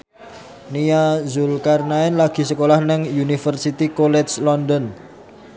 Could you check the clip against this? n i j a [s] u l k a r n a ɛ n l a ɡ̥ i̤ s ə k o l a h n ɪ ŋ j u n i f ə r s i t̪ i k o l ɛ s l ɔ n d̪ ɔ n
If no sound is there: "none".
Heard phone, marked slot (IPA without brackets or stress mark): z